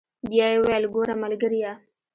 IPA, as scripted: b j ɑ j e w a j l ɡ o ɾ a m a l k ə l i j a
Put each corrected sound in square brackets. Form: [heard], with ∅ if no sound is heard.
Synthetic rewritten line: b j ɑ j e w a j l ɡ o ɾ a m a l [ɡ] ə [ɾ] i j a